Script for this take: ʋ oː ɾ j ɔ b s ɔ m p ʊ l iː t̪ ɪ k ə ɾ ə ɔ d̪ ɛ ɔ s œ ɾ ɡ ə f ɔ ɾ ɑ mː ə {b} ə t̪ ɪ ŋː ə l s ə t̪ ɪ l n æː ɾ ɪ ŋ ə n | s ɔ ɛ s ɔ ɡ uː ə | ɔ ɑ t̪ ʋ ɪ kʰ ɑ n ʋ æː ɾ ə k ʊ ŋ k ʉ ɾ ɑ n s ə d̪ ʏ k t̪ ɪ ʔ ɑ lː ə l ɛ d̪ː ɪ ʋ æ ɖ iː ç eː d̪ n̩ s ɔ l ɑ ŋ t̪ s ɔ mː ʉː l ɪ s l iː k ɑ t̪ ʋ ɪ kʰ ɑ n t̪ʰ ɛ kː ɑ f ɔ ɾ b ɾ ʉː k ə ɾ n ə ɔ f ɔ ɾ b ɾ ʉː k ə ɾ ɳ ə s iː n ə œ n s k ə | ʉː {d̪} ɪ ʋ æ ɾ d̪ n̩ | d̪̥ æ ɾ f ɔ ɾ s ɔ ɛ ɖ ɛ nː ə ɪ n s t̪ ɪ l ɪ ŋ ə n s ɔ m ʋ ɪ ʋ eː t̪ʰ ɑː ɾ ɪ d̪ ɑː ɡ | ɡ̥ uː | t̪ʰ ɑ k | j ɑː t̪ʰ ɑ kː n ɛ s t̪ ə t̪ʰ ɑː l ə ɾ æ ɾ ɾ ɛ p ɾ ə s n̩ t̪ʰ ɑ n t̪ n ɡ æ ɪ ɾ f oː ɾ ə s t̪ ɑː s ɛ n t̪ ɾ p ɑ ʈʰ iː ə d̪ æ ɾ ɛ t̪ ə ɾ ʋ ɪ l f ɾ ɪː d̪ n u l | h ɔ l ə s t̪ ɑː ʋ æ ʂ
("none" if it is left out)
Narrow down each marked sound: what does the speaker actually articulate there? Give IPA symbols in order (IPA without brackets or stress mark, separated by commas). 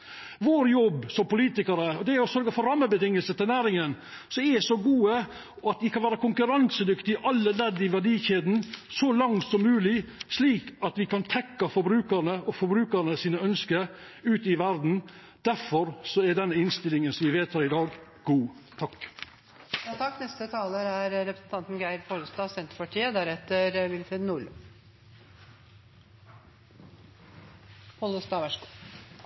b, t̪